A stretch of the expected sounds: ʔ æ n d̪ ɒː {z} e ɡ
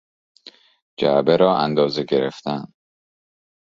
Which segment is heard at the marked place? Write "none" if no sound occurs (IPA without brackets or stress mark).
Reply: z